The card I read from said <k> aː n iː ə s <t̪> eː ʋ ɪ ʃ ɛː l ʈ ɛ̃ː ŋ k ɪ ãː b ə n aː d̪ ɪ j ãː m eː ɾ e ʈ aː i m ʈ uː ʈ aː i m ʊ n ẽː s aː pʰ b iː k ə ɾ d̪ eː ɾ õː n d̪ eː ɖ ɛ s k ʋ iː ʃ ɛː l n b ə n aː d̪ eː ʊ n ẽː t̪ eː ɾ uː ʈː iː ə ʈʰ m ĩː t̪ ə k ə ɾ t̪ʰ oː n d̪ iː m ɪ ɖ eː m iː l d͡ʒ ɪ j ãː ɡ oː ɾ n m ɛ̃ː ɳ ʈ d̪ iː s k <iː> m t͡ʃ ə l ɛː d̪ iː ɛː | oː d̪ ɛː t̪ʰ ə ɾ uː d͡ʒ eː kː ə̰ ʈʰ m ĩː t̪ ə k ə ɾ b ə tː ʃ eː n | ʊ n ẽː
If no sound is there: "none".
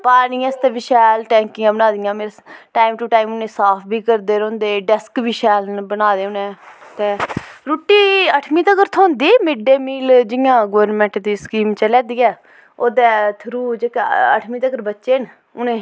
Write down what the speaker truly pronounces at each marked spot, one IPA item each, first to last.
p, t̪, iː

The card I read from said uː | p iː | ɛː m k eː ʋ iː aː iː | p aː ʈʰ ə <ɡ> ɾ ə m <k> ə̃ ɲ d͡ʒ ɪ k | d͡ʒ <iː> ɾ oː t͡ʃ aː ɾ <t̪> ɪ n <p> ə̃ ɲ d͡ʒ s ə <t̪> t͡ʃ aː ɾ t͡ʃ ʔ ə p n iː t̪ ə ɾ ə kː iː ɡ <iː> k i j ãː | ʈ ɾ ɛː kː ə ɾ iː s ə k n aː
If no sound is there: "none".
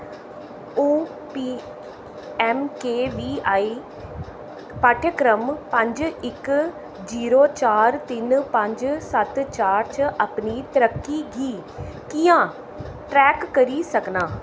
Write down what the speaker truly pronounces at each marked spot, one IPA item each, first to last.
k, p, iː, t̪, p, t̪, iː

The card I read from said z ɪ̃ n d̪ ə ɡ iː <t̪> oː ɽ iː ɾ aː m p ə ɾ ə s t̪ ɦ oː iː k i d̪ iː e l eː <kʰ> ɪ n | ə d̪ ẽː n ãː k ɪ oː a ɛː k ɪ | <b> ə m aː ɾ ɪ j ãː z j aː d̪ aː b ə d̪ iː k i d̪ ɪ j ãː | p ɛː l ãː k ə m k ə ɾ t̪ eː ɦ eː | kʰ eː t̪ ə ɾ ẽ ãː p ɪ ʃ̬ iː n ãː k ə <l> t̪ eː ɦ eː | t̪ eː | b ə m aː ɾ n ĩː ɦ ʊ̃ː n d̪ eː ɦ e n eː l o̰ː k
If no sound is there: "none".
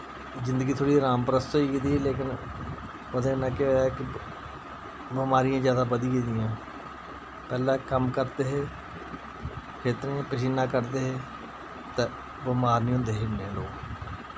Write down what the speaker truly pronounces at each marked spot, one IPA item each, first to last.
t̪ʰ, k, b, ɾ

